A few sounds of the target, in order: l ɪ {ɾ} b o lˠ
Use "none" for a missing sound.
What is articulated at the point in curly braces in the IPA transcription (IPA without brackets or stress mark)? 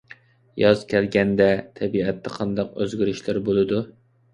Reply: ɾ